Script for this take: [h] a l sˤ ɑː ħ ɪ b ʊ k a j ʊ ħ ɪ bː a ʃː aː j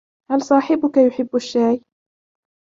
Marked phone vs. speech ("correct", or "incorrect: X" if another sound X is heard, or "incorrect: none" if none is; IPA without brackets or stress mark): correct